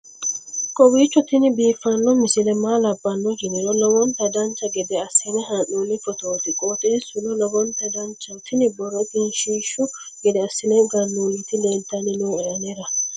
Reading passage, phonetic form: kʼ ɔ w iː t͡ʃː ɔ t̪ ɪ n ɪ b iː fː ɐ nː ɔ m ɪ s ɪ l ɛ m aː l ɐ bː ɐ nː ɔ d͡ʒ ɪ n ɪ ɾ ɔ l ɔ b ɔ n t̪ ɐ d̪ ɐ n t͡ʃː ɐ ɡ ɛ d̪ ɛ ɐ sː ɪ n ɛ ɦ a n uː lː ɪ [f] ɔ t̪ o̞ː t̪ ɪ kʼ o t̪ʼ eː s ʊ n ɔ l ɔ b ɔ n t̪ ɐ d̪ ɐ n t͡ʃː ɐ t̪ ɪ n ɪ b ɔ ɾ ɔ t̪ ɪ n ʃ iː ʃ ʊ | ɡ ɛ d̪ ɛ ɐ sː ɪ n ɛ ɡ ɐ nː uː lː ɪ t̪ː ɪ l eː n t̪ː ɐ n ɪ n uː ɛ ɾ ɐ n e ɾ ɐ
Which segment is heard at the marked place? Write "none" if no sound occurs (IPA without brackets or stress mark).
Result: f